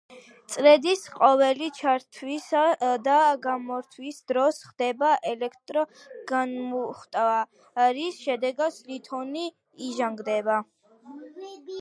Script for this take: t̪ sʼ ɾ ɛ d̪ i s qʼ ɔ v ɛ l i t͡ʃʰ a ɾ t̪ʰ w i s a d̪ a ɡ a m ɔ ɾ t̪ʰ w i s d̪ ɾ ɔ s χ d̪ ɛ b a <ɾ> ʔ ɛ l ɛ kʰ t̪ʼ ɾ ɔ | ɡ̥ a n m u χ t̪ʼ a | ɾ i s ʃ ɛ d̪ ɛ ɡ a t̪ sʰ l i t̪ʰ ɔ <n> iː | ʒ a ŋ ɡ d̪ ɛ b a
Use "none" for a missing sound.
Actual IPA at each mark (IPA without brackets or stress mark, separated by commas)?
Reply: none, n